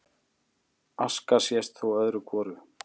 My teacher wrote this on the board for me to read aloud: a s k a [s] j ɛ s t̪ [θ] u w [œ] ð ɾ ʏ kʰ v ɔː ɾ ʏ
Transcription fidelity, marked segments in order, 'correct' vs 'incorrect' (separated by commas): correct, correct, correct